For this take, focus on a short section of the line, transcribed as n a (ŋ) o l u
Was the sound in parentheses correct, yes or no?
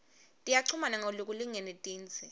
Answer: yes